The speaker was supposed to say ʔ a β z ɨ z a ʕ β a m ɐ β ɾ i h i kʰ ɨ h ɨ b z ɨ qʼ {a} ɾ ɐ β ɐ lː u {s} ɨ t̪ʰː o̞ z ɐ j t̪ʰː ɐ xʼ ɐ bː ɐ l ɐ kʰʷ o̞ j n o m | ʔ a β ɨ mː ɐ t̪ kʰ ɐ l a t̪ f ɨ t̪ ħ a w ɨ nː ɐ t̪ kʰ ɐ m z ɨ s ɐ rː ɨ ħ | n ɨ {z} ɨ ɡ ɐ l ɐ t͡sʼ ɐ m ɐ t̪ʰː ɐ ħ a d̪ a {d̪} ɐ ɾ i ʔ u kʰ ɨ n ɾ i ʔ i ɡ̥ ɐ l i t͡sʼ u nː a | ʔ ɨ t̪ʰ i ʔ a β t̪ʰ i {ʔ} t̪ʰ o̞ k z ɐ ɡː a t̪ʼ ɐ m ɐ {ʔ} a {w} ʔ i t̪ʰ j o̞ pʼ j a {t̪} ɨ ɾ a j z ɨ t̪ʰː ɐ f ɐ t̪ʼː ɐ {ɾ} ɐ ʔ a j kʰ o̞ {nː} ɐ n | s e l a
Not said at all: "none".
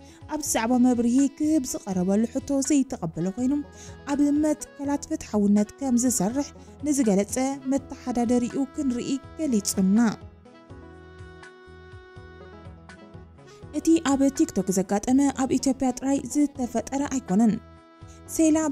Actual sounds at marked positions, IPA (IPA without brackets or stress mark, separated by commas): ɐ, ħ, z, d̪, k, ʔ, β, t̪ʼ, ɾ, n